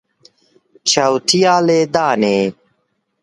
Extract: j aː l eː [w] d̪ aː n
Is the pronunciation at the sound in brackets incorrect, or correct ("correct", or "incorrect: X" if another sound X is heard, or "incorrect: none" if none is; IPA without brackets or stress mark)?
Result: incorrect: none